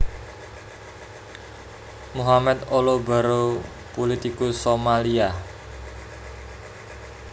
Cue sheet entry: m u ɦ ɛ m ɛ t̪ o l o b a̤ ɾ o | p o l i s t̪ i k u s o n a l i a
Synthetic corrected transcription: m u ɦ a m ɛ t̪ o l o b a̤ ɾ o | p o l i t̪ i k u s o m a l i a